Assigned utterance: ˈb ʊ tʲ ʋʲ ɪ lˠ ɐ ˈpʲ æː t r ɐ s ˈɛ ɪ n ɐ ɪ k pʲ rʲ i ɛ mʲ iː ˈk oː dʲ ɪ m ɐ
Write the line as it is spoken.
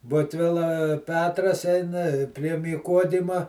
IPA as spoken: ˈb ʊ tʲ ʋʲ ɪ lˠ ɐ ˈpʲ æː t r ɐ s ˈɛ ɪ n ɐ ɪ pʲ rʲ i ɛ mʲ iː ˈk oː dʲ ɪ m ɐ